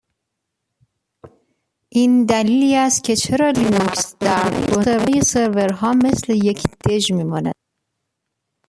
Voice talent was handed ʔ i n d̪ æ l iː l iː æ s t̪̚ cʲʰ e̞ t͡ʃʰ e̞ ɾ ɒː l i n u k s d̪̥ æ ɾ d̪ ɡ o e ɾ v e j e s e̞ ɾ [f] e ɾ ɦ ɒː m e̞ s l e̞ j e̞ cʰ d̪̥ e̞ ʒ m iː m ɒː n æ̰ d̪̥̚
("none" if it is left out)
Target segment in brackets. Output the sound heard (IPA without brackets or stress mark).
v